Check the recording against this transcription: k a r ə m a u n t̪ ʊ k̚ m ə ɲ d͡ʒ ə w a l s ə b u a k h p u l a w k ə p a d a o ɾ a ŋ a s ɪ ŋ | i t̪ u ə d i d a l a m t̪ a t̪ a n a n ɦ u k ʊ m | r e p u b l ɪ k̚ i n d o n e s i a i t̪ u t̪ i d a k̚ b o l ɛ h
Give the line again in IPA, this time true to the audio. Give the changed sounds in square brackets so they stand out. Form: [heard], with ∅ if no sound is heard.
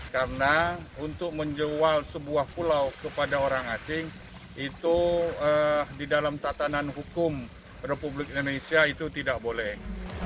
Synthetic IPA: k a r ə [n] a u n t̪ ʊ k̚ m ə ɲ d͡ʒ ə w a l s ə b u a [∅] h p u l a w k ə p a d a o ɾ a ŋ a s ɪ ŋ | i t̪ u ə d i d a l a m t̪ a t̪ a n a n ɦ u k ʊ m | r e p u b l ɪ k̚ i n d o n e s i a i t̪ u t̪ i d a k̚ b o l ɛ h